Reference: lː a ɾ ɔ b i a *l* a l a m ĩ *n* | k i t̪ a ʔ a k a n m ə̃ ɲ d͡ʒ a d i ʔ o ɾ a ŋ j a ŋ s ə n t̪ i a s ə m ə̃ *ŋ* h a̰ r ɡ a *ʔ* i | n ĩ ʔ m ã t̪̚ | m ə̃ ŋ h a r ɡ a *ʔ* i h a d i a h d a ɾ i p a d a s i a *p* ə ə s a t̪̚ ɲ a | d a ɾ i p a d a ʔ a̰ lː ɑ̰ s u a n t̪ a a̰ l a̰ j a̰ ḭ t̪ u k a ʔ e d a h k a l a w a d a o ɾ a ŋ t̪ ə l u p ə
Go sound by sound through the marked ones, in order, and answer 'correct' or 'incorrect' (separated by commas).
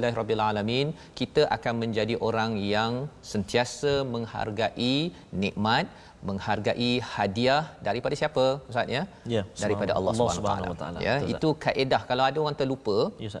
correct, correct, correct, correct, correct, correct